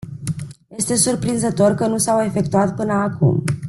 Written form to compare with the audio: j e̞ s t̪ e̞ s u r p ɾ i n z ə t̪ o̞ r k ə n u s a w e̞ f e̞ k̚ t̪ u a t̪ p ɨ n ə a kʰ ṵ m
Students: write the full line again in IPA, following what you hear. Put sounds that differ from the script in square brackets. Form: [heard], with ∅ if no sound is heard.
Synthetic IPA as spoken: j e̞ s t̪ e̞ s u r p ɾ i n z ə t̪ o̞ r k ə n u s a w e̞ f e̞ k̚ t̪ u a t̪ p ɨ n ə a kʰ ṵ m